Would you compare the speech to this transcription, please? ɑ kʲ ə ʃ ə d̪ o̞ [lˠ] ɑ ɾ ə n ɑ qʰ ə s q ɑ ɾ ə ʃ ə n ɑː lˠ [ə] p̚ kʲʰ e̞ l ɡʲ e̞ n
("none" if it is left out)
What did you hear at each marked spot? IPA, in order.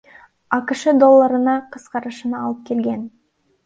lˠː, ə

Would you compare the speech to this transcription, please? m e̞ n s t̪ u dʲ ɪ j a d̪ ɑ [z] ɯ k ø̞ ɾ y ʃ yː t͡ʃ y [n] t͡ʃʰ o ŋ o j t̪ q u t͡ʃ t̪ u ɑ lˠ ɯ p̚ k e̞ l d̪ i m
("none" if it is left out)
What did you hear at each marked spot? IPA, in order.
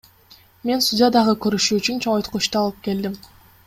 ʁ, n

